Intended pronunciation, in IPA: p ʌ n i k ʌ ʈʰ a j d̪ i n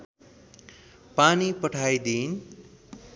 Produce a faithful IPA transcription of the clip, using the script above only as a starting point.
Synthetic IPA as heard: p a n i p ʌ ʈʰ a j d̪ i n